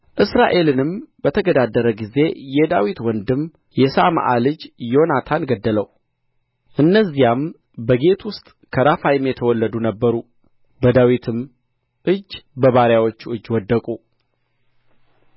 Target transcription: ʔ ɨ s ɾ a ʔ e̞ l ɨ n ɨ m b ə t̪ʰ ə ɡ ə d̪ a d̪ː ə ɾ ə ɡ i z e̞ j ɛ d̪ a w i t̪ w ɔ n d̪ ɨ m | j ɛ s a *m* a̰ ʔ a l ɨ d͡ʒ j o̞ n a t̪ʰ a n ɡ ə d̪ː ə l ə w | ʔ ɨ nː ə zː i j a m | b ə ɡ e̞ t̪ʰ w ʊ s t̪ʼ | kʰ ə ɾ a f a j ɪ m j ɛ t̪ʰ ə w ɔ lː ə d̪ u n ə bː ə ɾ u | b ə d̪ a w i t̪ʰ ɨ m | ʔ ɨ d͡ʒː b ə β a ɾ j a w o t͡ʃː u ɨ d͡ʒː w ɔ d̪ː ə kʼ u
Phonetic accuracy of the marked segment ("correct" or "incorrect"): correct